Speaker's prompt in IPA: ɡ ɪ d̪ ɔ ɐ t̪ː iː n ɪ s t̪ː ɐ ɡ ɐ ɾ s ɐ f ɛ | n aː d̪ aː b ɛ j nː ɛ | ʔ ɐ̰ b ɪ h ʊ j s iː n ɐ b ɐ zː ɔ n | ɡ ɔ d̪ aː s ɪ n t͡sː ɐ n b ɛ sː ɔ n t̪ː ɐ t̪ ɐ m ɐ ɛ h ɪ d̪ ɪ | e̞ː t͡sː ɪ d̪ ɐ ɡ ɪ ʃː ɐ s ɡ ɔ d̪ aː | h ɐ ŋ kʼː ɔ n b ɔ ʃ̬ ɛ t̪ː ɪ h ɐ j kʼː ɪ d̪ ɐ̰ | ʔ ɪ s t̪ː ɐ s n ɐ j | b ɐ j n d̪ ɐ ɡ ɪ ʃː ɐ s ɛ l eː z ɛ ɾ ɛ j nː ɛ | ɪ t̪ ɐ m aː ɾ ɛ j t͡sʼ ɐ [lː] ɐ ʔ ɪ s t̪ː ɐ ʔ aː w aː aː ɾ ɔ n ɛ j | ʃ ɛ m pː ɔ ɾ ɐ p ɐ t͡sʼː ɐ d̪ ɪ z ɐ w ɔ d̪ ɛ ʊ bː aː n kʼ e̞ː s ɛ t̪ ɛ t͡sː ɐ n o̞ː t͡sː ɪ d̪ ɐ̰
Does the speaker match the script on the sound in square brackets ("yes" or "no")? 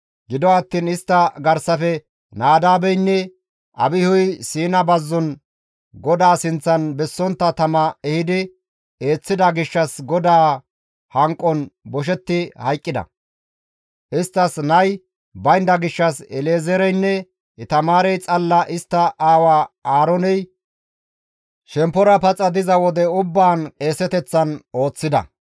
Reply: yes